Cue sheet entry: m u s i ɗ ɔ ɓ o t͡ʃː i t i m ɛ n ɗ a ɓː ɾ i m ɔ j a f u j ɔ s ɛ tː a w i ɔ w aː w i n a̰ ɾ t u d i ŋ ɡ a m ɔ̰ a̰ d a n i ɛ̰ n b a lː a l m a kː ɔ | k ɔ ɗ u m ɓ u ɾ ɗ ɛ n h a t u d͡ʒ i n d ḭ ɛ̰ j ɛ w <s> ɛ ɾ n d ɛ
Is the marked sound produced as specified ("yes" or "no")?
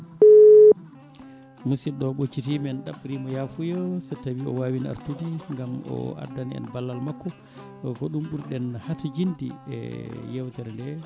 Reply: no